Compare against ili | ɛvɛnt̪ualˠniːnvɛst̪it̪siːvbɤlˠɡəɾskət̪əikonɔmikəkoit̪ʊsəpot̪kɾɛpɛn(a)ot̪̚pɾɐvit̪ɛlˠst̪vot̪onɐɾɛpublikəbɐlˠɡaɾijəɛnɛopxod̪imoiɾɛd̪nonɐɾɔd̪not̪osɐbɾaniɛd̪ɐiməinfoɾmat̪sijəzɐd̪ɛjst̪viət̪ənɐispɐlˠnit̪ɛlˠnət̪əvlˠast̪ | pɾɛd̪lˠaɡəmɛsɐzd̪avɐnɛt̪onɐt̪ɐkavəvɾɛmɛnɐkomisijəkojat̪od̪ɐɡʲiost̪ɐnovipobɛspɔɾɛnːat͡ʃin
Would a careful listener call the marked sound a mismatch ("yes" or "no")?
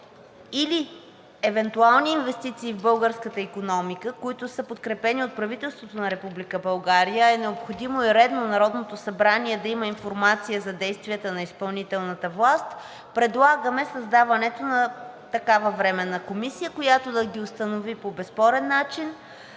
yes